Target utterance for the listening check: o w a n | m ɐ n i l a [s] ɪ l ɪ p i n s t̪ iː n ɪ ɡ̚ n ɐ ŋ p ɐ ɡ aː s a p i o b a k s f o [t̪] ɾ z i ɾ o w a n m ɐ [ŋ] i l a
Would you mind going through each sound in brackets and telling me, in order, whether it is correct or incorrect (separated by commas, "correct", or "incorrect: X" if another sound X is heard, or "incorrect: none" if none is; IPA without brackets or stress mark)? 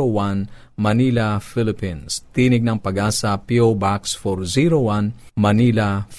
incorrect: f, incorrect: none, incorrect: n